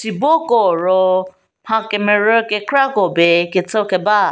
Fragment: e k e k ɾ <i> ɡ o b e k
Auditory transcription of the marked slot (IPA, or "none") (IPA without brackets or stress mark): a